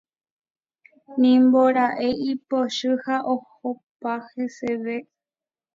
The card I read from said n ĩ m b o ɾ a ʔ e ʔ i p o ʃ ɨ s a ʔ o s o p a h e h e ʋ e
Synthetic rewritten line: n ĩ m b o ɾ a ʔ e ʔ i p o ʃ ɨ h a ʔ o h o p a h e s e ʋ e